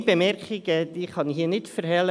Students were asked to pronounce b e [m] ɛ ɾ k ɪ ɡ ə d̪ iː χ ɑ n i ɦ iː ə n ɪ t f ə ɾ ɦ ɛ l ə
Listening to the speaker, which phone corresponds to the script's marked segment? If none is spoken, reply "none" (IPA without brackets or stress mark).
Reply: m